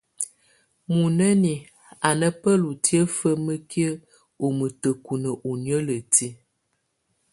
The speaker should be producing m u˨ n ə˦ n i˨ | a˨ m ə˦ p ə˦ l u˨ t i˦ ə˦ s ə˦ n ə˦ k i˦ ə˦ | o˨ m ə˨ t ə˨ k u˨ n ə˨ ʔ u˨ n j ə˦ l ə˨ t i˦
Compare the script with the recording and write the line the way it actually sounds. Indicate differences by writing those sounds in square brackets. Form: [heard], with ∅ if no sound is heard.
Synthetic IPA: m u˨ n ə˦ n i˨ | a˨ [n] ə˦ p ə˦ l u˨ t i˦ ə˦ [f] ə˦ [m] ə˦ k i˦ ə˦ | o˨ m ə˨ t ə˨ k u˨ n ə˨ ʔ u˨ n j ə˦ l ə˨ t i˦